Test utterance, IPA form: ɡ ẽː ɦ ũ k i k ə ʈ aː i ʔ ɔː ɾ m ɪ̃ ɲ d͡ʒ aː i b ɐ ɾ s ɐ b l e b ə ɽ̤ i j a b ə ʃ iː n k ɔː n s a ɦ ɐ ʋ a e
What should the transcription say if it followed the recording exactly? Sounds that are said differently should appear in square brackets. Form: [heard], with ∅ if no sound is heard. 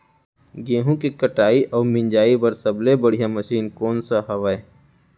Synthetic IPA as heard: ɡ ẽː ɦ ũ k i k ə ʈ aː i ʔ ɔː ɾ m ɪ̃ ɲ d͡ʒ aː i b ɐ ɾ s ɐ b l e b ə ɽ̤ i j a [m] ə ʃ iː n k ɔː n s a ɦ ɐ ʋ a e